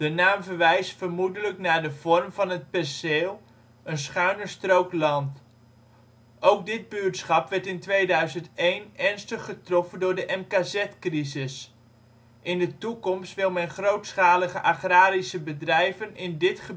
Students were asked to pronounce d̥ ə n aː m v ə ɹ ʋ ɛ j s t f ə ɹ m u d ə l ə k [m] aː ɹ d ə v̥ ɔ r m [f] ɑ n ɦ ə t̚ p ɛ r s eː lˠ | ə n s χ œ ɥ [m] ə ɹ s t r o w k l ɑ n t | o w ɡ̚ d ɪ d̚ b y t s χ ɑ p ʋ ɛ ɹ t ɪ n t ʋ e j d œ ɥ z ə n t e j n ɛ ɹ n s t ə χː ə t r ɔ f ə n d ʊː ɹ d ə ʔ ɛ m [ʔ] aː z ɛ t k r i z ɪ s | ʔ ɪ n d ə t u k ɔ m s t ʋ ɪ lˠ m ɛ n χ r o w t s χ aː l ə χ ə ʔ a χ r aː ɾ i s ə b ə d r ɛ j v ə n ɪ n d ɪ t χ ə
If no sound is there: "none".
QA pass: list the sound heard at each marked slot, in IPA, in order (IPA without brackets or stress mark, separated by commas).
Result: n, v, n, k